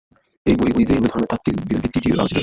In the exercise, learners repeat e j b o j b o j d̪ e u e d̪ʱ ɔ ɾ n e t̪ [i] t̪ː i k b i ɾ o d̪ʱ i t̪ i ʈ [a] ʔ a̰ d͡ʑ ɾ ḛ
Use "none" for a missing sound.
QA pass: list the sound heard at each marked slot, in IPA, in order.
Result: a, i

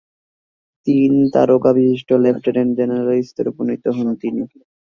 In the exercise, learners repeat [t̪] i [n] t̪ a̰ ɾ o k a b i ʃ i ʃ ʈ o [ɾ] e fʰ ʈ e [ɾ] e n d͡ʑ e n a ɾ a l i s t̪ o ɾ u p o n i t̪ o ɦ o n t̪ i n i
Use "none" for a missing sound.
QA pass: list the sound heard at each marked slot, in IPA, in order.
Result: t̪, n, l, ɾ

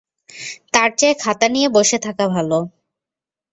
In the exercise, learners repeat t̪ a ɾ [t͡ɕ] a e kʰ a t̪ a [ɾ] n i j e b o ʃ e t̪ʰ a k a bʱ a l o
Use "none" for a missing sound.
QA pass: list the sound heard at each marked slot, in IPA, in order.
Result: t͡ɕ, none

